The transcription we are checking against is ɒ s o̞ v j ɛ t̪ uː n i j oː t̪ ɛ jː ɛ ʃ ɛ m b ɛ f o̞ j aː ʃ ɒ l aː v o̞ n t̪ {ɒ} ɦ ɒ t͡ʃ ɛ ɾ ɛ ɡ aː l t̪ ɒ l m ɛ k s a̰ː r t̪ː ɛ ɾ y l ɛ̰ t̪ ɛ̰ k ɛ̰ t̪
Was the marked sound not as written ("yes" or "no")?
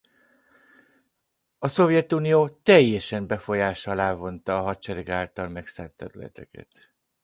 yes